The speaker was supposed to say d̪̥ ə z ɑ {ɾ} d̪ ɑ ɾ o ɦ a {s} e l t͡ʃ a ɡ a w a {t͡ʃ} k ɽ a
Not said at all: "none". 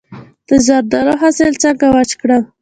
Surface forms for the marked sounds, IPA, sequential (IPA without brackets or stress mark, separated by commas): ɾ, s, t͡ʃ